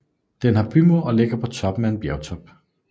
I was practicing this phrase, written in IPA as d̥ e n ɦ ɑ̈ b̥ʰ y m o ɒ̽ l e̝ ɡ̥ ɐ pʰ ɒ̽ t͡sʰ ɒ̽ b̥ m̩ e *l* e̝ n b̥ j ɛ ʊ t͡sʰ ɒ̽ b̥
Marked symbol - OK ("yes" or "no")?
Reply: no